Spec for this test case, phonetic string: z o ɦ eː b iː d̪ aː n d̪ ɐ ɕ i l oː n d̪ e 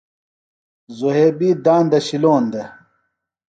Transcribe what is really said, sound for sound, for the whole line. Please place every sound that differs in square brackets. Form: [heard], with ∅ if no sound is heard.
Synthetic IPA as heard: z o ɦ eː b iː d̪ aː n d̪ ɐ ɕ i l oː n d̪ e